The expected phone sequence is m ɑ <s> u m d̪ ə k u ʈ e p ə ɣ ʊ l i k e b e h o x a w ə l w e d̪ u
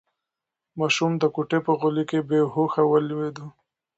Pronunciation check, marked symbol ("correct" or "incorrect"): incorrect